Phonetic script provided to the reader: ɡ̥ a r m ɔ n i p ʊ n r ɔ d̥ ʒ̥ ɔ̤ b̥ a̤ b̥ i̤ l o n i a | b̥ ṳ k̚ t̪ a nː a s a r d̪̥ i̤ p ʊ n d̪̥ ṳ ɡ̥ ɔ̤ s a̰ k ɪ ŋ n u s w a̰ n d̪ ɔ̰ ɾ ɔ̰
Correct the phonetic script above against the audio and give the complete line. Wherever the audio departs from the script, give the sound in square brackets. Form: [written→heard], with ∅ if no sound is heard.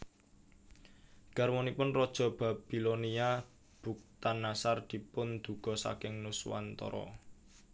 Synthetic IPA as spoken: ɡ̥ a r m ɔ n i p ʊ n r ɔ d̥ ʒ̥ ɔ̤ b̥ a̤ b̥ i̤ l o n i a | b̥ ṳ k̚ t̪ a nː a s a r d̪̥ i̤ p ʊ n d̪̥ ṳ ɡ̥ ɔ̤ s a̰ k ɪ ŋ n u s w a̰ n [d̪→t̪] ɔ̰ ɾ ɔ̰